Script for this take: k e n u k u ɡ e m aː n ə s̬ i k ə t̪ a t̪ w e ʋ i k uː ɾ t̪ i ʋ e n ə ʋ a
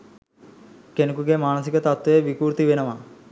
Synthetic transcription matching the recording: k e n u k u ɡ e m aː n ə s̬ i k ə t̪ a t̪ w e ʋ i k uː ɾ t̪ i ʋ e n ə ʋ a